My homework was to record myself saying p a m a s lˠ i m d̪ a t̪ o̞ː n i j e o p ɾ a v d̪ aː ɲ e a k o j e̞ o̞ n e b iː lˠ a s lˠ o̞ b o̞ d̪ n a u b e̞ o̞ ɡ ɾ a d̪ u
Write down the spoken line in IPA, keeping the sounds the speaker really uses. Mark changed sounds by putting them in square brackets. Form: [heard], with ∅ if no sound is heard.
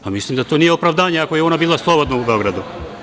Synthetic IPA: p a m [i] s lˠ i m d̪ a t̪ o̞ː n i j e o p ɾ a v d̪ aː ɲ e a k o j e̞ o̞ n [a] b iː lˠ a s lˠ o̞ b o̞ d̪ n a u b e̞ o̞ ɡ ɾ a d̪ u